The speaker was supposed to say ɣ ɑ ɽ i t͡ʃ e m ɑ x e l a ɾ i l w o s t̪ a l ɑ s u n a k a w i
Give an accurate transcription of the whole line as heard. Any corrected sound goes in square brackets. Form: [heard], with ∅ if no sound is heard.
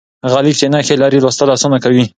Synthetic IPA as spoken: ɣ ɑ [l] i t͡ʃ e [n] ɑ x e l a ɾ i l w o s t̪ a l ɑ s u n a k a w i